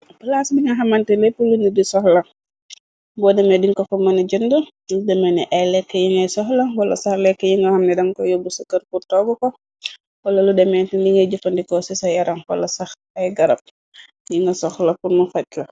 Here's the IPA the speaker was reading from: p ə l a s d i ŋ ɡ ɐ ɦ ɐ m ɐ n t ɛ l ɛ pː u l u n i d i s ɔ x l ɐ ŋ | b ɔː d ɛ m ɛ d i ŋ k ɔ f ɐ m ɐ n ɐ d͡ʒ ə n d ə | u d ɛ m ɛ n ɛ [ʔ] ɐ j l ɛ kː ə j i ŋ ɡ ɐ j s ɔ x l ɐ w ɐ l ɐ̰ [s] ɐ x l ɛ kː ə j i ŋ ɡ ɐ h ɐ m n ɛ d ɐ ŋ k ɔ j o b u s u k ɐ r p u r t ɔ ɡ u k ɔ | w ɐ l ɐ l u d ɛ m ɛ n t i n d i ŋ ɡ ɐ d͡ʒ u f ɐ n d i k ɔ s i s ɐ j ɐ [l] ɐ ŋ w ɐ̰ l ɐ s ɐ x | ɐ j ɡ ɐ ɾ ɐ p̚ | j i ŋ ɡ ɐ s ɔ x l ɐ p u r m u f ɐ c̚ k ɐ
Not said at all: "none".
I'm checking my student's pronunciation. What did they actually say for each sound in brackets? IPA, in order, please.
ʔ, s, ɾ

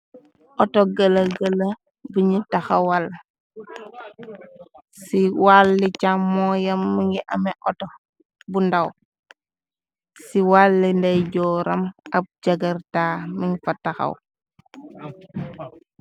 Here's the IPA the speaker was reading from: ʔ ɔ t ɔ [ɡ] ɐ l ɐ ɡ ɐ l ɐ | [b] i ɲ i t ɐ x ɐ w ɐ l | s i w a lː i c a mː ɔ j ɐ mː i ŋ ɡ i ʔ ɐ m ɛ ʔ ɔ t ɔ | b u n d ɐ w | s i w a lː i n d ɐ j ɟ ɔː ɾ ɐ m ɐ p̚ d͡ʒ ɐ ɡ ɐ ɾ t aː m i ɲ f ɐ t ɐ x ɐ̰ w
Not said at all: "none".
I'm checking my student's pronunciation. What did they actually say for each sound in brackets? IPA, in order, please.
ɡ, b

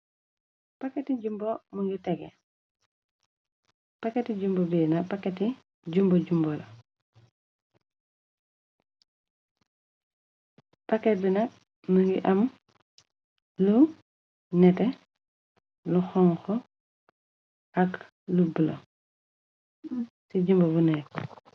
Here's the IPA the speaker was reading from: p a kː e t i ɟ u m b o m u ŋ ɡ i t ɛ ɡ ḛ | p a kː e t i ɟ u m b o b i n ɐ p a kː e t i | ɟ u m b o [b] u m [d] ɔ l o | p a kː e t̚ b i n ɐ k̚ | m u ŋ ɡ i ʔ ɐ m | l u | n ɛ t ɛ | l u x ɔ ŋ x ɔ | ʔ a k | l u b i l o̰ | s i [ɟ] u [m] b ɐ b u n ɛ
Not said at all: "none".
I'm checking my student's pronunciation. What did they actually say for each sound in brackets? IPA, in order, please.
ɟ, b, ɟ, m

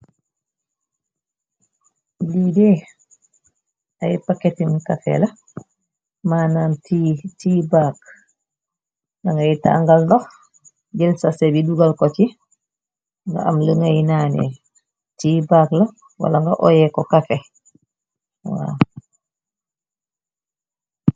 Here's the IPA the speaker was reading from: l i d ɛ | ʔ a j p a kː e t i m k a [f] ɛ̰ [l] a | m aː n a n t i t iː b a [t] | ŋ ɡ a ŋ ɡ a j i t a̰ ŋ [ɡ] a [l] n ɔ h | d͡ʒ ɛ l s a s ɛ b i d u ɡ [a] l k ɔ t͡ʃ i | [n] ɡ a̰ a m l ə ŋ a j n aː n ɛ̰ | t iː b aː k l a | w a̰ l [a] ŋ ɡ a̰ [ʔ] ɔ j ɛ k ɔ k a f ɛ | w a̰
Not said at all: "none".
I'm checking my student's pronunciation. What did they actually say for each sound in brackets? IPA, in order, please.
f, l, k, ɡ, l, a, ŋ, a, ʔ

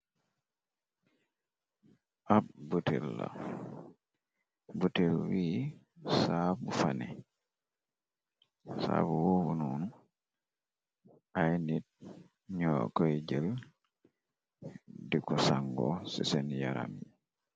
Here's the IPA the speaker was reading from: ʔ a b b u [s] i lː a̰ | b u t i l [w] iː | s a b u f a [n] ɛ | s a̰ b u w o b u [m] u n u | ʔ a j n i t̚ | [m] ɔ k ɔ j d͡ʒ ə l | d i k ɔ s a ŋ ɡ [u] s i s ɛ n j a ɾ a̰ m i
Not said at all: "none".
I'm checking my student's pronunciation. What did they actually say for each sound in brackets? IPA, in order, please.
t, w, n, n, ɲ, ɔ

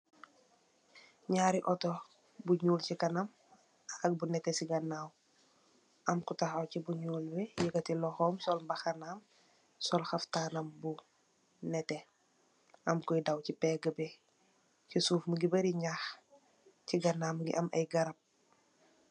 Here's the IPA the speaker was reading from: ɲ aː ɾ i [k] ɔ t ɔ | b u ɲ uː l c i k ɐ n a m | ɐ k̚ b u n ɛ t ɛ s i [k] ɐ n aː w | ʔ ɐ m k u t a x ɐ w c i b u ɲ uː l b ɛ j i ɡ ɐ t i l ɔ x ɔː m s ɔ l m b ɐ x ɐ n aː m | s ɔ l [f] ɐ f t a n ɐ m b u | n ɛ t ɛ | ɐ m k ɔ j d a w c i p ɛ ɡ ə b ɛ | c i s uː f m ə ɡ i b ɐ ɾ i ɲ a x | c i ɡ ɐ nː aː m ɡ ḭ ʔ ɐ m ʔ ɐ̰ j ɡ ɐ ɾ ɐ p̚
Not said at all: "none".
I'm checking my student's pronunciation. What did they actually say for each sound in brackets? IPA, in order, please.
ʔ, ɡ, x

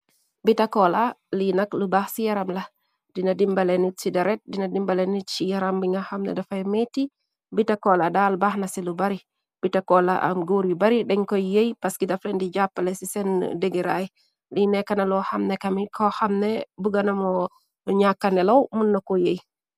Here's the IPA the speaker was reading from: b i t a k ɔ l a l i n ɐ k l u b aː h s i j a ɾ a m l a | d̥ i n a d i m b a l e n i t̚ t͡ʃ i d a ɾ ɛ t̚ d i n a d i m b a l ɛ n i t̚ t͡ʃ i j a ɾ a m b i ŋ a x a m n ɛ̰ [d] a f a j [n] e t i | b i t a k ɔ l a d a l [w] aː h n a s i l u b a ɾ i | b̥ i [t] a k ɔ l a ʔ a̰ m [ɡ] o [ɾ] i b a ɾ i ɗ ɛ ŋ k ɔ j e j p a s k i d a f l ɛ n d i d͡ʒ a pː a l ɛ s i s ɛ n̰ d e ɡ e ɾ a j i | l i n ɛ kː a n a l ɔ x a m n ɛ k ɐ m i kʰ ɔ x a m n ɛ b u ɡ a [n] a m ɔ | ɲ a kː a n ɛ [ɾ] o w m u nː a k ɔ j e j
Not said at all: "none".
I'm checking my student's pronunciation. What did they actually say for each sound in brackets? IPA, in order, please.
d, m, b, t, ɡ, ɾ, n, l

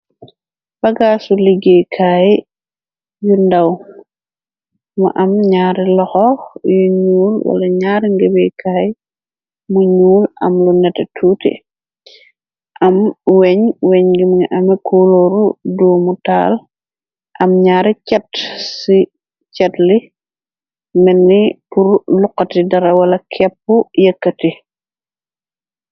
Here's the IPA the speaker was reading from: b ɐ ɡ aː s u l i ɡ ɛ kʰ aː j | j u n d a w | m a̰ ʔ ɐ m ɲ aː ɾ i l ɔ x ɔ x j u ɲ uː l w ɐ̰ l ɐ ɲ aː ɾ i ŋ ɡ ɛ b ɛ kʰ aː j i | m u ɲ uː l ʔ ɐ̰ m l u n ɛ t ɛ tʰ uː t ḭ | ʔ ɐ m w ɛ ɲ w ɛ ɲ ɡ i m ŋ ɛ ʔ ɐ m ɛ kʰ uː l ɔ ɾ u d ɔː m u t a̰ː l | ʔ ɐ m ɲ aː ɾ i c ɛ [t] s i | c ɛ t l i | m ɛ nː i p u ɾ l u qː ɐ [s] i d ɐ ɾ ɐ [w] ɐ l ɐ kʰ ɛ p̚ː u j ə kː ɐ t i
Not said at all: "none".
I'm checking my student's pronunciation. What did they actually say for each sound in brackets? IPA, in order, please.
t, t, w

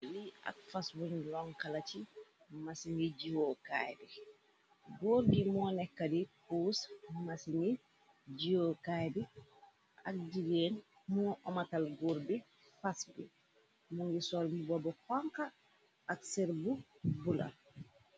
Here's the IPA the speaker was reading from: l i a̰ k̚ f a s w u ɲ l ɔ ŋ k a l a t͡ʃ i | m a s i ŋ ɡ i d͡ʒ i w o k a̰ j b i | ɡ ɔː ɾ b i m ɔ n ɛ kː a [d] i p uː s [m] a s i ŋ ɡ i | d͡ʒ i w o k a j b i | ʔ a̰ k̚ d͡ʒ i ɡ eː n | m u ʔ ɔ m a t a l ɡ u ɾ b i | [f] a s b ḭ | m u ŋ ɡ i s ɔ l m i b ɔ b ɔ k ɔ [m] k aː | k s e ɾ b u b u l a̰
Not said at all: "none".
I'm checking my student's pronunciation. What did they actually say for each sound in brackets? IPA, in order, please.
d, m, f, ŋ

